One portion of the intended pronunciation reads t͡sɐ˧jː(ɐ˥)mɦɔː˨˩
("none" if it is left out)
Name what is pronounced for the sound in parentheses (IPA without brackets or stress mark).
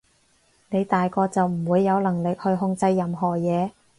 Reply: ɐ˨